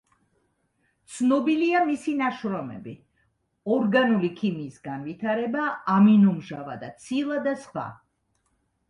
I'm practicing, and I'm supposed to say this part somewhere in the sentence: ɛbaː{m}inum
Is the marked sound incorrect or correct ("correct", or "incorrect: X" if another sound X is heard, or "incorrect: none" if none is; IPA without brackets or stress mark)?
correct